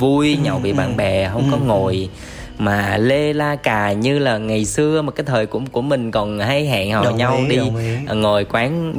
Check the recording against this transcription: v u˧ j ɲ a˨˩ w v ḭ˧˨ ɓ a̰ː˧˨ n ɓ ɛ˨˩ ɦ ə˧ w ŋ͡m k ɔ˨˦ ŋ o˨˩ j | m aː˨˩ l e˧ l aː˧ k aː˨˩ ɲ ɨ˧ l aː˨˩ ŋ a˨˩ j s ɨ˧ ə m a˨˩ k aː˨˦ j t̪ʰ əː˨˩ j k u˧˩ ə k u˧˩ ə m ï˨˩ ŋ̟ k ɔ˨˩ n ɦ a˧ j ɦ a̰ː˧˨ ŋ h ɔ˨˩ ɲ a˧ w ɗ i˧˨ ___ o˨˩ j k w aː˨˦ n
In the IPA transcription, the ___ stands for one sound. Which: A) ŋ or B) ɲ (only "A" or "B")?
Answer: A